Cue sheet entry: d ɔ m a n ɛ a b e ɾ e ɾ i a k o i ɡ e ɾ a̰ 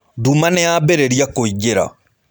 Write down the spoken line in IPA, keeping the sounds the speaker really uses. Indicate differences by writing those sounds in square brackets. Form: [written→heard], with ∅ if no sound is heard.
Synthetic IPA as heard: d [ɔ→u] m a n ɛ a b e ɾ e ɾ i a k o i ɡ e ɾ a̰